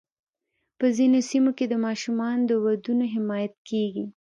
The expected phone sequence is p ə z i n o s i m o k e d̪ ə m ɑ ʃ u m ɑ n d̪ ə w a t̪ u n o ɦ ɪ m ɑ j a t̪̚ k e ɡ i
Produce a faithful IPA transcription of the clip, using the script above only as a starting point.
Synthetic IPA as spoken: p ə z i n o s i m o k e d̪ ə m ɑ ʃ u m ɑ n d̪ ə w a d̪ u n o ɦ ɪ m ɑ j a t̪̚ k e ɡ i